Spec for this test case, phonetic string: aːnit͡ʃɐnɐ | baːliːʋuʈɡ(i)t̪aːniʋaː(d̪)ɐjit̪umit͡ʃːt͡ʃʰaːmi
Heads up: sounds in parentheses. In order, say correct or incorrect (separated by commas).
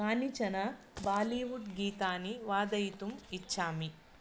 incorrect, correct